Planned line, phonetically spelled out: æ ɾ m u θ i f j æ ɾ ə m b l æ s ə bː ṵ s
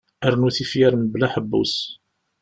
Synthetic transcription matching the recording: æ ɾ n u θ i f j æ ɾ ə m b l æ ħ ə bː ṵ s

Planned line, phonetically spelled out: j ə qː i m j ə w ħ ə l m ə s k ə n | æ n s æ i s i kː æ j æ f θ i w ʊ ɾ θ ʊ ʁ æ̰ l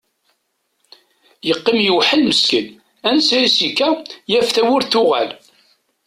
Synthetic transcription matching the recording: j ə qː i m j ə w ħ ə l m ə s k ə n | æ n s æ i s i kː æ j æ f θ æ w ʊ ɾ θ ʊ ʁ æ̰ l

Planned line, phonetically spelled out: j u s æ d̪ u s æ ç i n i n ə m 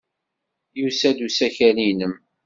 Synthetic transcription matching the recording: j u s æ d̪ u s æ ç æ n i n ə m

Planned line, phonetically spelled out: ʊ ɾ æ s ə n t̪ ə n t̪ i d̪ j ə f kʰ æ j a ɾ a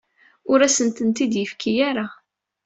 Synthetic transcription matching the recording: ʊ ɾ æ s ə n t̪ ə n t̪ i d̪ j ə f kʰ i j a ɾ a

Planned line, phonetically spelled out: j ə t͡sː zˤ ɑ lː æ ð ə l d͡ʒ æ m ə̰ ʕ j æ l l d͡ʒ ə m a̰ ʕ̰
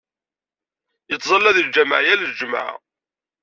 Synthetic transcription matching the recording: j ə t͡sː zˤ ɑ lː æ ð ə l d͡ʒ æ m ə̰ ʕ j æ l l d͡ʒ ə m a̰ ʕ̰

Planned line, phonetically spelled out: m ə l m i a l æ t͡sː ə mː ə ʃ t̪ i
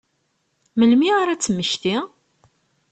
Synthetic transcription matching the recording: m ə l m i a ɾ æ t͡sː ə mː ə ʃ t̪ i

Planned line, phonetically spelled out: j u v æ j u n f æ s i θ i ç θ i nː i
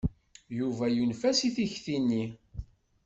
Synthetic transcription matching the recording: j u v æ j u n f æ s i θ i ç θ i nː i

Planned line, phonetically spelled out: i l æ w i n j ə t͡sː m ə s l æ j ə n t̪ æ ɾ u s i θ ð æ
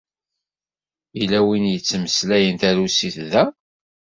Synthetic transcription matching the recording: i l æ w i n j ə t͡sː m ə s l æ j ə n t̪ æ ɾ u s i θ ð æ

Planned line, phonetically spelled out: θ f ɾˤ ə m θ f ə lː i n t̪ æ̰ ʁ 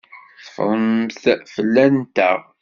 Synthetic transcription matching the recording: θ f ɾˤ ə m θ f ə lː æ n t̪ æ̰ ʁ

